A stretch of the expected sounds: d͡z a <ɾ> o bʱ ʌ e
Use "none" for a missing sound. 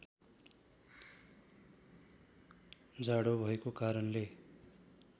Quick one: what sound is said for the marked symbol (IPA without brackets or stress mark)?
ɽ